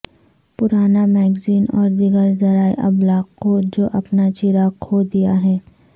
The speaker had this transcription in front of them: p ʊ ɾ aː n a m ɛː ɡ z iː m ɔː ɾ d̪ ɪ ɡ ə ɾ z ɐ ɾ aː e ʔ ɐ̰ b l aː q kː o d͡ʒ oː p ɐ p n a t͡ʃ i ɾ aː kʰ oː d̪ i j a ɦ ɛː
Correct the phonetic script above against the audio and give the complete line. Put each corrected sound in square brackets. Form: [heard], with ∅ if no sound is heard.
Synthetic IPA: p ʊ ɾ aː n a m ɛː ɡ z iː [n] ɔː ɾ d̪ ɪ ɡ ə ɾ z ɐ ɾ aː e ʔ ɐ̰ b l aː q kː o d͡ʒ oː [ʔ] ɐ p n a t͡ʃ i ɾ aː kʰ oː d̪ i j a ɦ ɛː